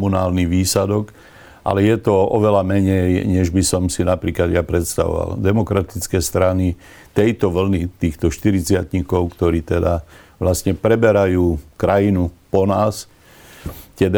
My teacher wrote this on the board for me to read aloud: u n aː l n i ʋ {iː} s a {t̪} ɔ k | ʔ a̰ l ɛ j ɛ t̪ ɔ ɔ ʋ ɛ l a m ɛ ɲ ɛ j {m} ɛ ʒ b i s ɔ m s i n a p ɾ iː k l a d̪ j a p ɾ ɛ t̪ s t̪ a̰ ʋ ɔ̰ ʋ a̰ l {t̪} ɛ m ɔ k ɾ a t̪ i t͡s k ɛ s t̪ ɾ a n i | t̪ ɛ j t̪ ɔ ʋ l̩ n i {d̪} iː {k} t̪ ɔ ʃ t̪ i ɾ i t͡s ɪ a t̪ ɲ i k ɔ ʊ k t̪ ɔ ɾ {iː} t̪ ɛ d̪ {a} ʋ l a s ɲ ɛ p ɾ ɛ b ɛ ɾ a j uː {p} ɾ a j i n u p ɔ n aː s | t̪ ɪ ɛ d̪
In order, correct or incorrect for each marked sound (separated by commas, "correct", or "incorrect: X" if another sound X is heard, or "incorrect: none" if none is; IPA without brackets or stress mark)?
correct, incorrect: d̪, incorrect: ɲ, incorrect: d̪, incorrect: t̪, incorrect: x, correct, correct, incorrect: k